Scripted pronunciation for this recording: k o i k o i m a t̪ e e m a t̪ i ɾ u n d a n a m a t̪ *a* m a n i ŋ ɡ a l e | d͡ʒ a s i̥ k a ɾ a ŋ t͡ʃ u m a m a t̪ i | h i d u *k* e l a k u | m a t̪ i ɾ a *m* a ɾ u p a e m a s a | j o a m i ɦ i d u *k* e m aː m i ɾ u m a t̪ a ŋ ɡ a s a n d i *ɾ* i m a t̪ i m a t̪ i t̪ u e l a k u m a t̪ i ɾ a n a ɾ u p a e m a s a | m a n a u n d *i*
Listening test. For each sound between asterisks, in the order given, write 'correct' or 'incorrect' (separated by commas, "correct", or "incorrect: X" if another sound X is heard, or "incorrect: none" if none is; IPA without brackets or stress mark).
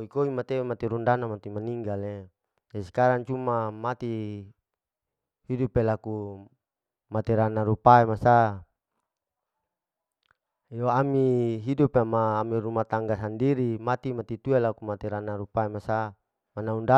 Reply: incorrect: i, incorrect: p, incorrect: n, incorrect: p, correct, incorrect: a